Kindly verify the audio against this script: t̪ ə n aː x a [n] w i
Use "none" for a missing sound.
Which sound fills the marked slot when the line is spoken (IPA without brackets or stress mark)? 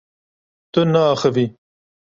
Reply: none